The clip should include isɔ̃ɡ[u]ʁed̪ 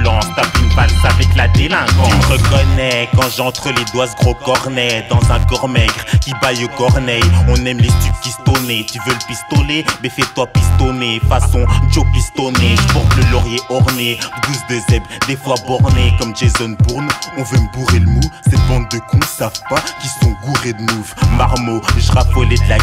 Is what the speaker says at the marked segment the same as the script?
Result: yes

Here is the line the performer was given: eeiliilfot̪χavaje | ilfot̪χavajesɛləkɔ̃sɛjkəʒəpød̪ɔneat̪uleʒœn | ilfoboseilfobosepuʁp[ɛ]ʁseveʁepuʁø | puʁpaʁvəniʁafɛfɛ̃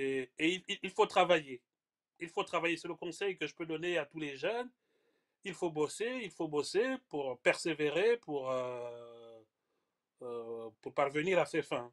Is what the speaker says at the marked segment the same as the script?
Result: yes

